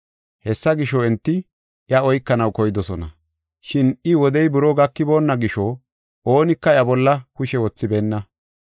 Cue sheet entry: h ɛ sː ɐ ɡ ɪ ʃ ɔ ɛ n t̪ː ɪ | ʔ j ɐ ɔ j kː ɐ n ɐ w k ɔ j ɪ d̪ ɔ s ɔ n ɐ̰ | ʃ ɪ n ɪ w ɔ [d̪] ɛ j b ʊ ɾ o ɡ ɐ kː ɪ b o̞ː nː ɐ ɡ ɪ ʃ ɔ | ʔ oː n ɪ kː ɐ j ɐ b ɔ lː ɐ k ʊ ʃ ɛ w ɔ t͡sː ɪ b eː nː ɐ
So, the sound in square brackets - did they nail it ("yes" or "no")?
yes